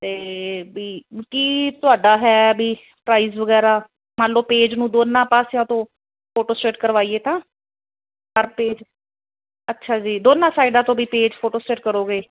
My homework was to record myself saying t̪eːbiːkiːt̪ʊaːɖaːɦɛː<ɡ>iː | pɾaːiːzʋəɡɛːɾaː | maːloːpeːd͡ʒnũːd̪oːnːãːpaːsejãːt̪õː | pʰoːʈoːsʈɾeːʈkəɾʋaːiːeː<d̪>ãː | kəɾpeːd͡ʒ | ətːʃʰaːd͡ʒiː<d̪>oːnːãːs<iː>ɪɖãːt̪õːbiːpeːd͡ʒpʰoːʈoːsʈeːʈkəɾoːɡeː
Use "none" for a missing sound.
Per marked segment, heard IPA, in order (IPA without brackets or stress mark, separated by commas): b, t̪, d̪, aː